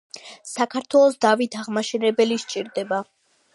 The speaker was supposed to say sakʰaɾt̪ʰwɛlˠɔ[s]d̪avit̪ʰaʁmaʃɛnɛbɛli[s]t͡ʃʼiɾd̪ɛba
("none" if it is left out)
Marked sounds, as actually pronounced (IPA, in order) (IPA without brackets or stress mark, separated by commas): s, ʃ